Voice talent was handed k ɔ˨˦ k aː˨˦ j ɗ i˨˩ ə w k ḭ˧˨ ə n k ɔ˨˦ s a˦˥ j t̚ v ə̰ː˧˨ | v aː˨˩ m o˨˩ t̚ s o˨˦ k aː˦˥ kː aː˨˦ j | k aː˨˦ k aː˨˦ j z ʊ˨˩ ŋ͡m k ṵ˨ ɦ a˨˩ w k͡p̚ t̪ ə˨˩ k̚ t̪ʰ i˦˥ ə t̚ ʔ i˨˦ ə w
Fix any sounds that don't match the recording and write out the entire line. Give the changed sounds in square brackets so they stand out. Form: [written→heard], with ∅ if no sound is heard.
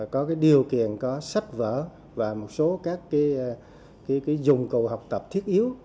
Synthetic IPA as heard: k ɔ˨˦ k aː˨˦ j ɗ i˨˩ ə w k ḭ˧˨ ə n k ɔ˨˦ s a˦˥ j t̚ v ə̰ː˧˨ | v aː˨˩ m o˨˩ t̚ s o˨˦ k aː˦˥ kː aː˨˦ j | k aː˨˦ k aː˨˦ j z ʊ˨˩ ŋ͡m k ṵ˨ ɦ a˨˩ w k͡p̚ t̪ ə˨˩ [k̚→p̚] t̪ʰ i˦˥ ə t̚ ʔ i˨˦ ə w